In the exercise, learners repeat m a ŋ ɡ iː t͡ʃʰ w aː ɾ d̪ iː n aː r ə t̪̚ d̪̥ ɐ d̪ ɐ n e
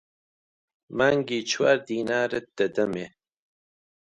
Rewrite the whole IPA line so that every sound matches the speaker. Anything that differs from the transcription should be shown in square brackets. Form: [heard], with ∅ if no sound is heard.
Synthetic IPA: m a ŋ ɡ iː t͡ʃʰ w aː ɾ d̪ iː n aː [ɾ] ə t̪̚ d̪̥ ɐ d̪ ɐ [m] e